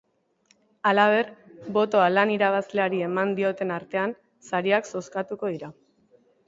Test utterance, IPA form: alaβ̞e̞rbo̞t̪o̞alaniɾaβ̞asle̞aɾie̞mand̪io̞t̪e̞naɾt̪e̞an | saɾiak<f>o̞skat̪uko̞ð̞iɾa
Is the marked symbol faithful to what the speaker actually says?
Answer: no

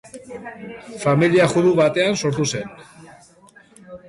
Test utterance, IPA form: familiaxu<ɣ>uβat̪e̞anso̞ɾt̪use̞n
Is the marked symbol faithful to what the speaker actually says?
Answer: no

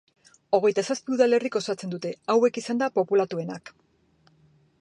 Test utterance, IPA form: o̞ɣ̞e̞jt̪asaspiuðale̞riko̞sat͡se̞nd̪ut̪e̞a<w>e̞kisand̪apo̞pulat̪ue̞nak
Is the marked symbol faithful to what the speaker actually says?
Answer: yes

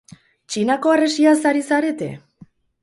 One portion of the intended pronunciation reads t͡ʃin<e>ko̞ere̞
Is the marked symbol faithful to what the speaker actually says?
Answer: no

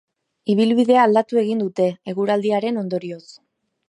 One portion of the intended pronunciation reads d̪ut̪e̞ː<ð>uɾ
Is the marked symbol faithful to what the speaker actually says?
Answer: no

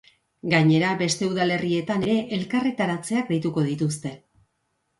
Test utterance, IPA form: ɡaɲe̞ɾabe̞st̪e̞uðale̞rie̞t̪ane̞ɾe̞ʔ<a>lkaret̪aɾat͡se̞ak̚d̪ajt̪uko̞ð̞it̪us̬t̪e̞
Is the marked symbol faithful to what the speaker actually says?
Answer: no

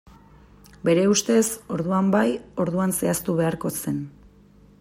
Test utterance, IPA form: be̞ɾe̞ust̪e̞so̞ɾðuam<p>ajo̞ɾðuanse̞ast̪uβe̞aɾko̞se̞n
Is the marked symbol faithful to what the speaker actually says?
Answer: no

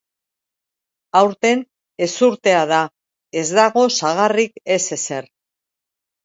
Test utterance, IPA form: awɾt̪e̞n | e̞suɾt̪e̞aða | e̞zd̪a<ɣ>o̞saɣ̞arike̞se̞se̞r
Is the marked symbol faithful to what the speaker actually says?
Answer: yes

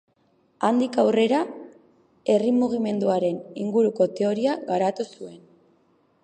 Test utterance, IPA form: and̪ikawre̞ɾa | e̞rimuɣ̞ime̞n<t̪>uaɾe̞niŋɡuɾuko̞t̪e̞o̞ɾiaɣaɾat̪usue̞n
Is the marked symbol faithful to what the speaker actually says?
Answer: no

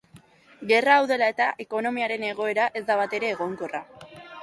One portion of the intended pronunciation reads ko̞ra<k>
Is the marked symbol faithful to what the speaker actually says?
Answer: no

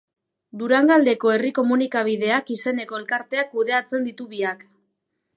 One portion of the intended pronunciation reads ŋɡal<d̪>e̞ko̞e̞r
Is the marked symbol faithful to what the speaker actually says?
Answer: yes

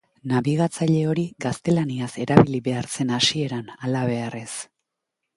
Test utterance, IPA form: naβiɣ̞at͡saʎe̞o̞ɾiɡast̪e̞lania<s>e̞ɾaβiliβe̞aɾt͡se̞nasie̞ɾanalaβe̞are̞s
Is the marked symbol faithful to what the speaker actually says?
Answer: yes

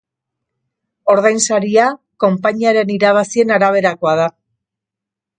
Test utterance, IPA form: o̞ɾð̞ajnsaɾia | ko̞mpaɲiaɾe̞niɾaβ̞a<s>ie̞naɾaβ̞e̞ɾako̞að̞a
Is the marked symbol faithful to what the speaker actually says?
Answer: yes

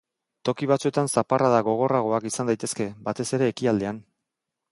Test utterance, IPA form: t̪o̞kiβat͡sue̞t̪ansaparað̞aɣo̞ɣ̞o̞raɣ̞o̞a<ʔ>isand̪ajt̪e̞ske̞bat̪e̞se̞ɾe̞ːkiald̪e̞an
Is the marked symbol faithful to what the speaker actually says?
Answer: no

